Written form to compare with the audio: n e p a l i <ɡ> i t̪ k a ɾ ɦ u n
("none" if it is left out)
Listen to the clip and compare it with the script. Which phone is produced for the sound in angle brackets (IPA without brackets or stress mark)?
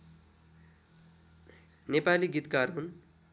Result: ɡ